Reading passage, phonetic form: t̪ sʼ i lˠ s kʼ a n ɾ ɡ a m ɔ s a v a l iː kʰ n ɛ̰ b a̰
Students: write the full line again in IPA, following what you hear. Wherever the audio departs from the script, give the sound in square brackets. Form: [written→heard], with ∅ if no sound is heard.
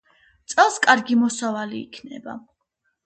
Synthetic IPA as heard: t̪ sʼ [i→ɛ] lˠ s kʼ a [n→∅] ɾ ɡ [a→i] m ɔ s a v a l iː kʰ n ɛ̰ b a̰

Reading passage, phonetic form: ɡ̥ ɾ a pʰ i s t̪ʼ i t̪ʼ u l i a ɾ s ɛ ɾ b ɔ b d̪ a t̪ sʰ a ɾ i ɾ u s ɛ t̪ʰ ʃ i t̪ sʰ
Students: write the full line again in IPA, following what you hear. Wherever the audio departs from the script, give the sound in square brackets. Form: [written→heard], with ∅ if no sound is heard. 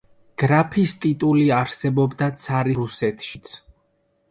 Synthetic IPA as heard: ɡ̥ ɾ a pʰ i s t̪ʼ i t̪ʼ u l i a ɾ s ɛ [ɾ→∅] b ɔ b d̪ a t̪ sʰ a ɾ i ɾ u s ɛ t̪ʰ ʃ i t̪ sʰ

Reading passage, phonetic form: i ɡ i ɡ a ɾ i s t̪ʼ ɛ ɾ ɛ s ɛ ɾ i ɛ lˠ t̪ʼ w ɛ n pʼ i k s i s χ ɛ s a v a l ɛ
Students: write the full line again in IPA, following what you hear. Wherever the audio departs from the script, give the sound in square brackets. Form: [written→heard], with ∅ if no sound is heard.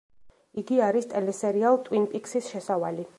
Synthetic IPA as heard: i ɡ i [ɡ→∅] a ɾ i s t̪ʼ ɛ [ɾ→l] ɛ s ɛ ɾ i [ɛ→a] lˠ t̪ʼ w [ɛ→i] n pʼ i k s i s [χ→ʃ] ɛ s a v a l [ɛ→i]

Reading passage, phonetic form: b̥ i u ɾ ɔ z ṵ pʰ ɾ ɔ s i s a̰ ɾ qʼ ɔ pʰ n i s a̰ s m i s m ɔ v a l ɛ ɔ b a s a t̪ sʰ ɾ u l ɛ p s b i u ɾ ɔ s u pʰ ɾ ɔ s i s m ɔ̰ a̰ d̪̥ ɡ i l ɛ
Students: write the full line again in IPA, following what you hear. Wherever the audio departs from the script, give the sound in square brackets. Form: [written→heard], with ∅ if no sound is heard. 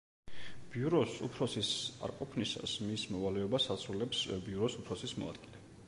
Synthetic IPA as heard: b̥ i u ɾ ɔ [z→s] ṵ pʰ ɾ ɔ s i s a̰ ɾ qʼ ɔ pʰ n i s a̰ s m i s m ɔ v a l ɛ ɔ b a s a t̪ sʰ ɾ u l ɛ p s b i u ɾ ɔ s u pʰ ɾ ɔ s i s m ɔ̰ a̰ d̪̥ ɡ i l ɛ

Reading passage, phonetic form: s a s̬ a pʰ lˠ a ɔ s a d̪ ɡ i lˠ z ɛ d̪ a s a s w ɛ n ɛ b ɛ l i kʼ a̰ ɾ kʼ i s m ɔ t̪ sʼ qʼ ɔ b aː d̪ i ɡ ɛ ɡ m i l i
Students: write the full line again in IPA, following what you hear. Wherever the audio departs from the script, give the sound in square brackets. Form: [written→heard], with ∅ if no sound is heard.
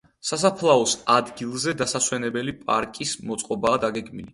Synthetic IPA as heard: s a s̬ a pʰ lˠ a ɔ s a d̪ ɡ i lˠ z ɛ d̪ a s a s w ɛ n ɛ b ɛ l i [kʼ→pʼ] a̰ ɾ kʼ i s m ɔ t̪ sʼ qʼ ɔ b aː d̪ [i→a] ɡ ɛ ɡ m i l i

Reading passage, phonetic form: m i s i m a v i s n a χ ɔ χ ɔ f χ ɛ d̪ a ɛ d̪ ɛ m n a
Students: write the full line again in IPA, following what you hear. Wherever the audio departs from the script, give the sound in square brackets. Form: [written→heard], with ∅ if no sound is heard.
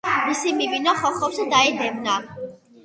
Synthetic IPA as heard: m i s i m [a→i] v i [s→∅] n a χ ɔ χ ɔ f [χ→s] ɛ d̪ a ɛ d̪ ɛ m n a

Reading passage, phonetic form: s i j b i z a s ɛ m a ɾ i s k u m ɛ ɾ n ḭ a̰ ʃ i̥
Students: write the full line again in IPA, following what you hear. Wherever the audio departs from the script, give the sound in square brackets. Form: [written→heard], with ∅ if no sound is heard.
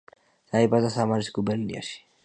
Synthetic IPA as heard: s [i→a] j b [i→a] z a s [ɛ→a] m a ɾ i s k u [m→b] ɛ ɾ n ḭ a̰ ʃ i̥

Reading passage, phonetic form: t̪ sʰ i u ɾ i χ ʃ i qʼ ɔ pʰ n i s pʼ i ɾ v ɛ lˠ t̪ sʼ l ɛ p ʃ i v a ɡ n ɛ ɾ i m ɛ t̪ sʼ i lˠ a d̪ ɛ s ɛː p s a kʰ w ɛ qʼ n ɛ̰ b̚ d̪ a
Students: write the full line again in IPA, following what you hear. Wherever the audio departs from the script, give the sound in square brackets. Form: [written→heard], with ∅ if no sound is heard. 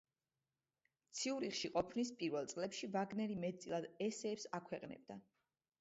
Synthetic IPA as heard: t̪ sʰ i u ɾ i χ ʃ i qʼ ɔ pʰ n i s pʼ i ɾ v ɛ lˠ t̪ sʼ l ɛ p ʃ i v a ɡ n ɛ ɾ i m ɛ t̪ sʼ i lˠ a d̪ ɛ s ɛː p s a kʰ w ɛ qʼ n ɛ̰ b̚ d̪ a

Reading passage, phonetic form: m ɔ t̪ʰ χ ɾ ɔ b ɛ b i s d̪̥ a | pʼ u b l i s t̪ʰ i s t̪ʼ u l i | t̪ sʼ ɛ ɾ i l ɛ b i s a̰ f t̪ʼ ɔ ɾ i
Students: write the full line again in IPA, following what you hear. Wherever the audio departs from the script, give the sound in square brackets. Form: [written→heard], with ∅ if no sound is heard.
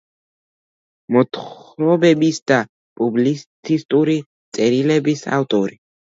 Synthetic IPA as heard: m ɔ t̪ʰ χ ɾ ɔ b ɛ b i s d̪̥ a | pʼ u b l i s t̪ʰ i s t̪ʼ u [l→ɾ] i | t̪ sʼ ɛ ɾ i l ɛ b i s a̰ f t̪ʼ ɔ ɾ i

